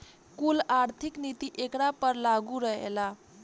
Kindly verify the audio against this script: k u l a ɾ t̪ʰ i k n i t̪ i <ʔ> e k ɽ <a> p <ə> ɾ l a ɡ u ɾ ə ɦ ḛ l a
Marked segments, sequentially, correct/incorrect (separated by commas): correct, correct, correct